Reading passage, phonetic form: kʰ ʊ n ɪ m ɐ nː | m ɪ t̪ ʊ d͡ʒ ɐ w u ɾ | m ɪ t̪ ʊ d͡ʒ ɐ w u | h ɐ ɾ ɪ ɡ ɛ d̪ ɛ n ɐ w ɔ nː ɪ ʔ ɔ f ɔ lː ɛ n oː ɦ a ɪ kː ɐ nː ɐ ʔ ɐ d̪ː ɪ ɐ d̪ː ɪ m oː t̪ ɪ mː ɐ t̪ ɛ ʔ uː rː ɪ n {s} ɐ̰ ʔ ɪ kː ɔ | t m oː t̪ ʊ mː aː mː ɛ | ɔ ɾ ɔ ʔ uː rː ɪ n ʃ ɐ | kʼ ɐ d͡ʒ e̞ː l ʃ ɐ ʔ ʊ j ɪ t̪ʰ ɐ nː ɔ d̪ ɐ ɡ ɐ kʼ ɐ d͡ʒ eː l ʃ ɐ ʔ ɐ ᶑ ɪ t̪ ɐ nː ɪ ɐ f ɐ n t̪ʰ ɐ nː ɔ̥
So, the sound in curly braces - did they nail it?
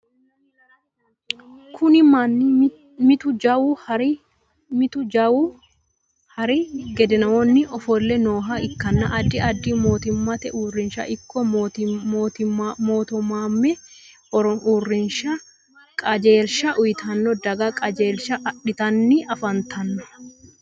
no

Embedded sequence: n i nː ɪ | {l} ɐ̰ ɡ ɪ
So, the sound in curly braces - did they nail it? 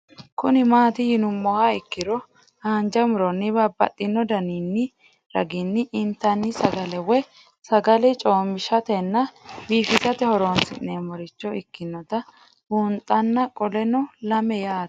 no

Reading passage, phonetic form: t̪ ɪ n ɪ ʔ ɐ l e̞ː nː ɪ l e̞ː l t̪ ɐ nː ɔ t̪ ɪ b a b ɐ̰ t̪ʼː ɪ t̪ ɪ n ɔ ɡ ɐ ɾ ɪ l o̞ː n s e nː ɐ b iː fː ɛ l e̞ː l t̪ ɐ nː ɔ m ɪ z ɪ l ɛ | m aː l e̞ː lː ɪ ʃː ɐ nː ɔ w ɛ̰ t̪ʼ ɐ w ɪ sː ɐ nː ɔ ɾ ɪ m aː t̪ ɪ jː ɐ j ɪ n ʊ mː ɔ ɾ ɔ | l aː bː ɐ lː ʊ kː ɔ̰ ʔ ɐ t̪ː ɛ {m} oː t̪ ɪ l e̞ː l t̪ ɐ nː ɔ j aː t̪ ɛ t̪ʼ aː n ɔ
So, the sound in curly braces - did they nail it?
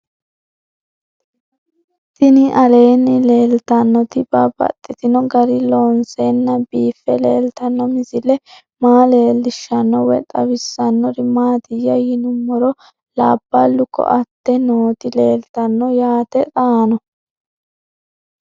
no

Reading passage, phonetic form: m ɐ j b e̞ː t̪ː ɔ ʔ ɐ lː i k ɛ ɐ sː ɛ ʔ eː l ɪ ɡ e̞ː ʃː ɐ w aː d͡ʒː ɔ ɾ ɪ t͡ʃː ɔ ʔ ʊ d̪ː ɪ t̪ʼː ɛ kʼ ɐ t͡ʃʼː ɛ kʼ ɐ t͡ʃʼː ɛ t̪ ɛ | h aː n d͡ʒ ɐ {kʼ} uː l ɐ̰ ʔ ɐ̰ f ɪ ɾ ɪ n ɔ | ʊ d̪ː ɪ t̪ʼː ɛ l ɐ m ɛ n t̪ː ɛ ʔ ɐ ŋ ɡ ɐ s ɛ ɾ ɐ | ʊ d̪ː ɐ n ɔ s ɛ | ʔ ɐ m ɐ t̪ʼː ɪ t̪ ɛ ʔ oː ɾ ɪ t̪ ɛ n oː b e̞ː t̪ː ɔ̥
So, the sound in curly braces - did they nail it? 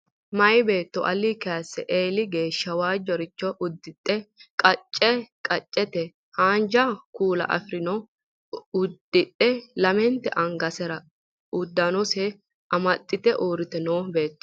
no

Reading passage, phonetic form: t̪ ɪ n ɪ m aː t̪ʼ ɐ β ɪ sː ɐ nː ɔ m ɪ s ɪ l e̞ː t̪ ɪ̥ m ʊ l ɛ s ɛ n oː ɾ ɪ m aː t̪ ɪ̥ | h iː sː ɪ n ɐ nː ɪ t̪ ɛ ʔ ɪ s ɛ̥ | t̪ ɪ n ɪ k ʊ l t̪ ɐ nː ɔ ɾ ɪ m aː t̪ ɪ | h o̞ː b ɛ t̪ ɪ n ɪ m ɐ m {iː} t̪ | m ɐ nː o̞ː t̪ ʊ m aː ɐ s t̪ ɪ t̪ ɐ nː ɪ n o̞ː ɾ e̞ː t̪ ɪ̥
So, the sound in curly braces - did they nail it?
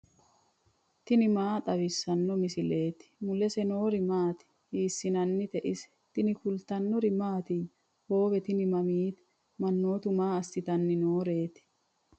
yes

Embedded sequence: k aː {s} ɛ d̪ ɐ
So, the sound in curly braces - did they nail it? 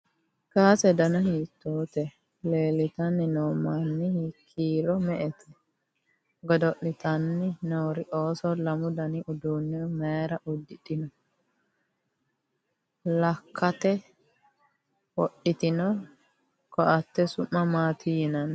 yes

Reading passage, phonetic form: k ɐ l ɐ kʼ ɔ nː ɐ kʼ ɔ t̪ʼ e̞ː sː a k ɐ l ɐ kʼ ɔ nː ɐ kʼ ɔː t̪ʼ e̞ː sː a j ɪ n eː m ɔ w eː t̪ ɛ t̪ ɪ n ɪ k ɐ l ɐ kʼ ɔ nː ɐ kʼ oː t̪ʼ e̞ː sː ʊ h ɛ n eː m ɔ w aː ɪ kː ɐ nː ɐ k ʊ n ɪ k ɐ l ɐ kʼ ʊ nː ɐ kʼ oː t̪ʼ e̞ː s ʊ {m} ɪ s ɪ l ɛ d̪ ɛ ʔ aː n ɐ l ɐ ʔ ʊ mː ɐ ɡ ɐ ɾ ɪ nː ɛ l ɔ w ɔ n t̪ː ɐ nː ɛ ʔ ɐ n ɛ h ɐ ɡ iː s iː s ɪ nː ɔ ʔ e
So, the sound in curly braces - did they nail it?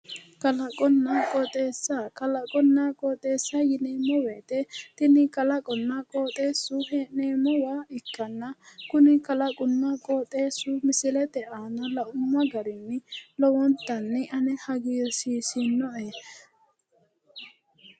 yes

